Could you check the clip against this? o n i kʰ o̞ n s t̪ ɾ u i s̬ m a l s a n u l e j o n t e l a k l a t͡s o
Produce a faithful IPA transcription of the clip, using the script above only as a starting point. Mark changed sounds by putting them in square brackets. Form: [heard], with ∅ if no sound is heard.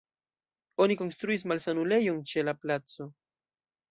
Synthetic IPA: o n i [k] o̞ n s t̪ ɾ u i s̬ m a l s a n u l e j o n [t͡ʃ] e l a [p] l a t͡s o